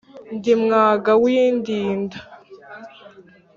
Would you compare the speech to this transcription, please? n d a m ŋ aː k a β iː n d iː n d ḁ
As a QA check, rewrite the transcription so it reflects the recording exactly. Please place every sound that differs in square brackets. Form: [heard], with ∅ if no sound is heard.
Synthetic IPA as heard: n d [i] m ŋ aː [ɡ] a [w] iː n d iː n d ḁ